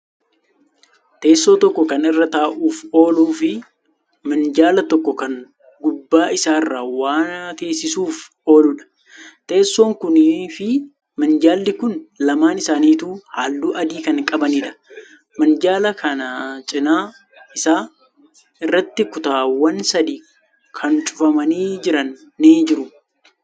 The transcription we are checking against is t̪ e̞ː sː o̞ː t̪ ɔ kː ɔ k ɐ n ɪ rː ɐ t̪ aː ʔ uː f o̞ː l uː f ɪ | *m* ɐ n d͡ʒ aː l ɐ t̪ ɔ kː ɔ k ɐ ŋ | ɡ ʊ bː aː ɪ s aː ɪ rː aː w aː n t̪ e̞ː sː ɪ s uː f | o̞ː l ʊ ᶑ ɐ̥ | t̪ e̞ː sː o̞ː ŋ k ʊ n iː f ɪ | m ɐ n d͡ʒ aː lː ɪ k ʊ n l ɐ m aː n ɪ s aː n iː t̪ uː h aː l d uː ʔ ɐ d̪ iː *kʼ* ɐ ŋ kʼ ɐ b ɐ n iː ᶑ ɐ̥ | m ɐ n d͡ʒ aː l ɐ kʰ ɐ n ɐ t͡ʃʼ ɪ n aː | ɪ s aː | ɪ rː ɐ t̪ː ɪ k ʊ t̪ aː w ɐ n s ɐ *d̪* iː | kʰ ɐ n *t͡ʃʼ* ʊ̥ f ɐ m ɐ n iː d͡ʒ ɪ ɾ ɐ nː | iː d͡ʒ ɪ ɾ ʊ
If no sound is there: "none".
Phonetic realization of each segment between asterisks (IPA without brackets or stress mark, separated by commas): m, k, d̪, t͡ʃʼ